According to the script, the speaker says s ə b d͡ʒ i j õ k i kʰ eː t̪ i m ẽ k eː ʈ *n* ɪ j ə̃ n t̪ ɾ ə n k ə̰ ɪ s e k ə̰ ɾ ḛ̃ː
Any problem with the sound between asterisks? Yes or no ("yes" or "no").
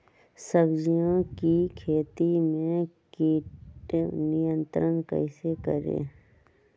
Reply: no